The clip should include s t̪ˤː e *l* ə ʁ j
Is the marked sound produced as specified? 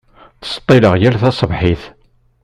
yes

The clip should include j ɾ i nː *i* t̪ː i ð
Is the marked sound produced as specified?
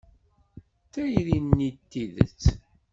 yes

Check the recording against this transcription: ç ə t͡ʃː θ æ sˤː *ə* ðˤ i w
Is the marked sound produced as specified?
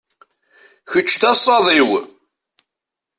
no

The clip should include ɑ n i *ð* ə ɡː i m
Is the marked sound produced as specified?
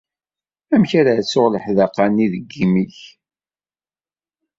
yes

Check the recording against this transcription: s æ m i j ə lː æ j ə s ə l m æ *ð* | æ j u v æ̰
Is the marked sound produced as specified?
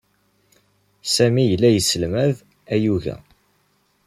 yes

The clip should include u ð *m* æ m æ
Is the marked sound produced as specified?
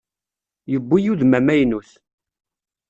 yes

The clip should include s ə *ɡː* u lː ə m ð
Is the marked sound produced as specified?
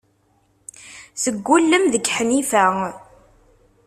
yes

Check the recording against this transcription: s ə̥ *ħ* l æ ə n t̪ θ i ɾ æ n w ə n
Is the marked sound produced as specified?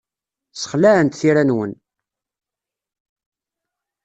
no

